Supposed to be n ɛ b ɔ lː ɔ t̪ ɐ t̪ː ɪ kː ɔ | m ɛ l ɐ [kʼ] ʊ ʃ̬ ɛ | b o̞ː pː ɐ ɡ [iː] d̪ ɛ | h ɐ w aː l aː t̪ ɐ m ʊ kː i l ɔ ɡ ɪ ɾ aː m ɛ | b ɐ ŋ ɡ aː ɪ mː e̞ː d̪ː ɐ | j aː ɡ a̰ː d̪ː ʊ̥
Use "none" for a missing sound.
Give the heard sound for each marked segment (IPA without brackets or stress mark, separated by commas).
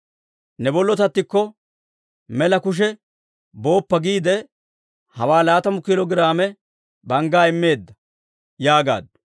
k, iː